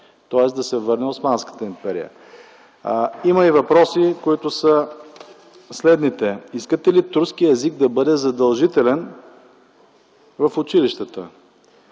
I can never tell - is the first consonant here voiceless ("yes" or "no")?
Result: yes